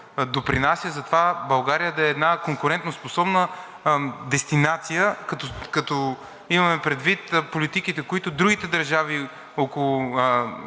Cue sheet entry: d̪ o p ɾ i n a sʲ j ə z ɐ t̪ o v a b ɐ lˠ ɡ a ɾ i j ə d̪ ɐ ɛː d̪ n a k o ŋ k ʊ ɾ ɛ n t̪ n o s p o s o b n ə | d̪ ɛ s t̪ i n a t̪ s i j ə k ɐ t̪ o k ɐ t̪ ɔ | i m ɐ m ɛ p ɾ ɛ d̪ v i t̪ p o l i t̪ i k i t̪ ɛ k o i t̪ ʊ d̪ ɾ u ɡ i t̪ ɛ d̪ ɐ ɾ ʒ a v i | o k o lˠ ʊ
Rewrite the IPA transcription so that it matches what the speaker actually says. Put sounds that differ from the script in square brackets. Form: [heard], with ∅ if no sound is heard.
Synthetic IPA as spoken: d̪ o p ɾ i n a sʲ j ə z ɐ t̪ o v a b ɐ lˠ ɡ a ɾ i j ə d̪ ɐ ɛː d̪ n a k o ŋ k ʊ ɾ ɛ n t̪ n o s p o s [ɔ] b n ə | d̪ ɛ s t̪ i n a t̪ s i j ə k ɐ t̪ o k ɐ t̪ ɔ | i m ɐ m ɛ p ɾ ɛ d̪ v i t̪ p o l i t̪ i k i t̪ ɛ k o i t̪ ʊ d̪ ɾ u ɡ i t̪ ɛ d̪ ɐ ɾ ʒ a v i | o k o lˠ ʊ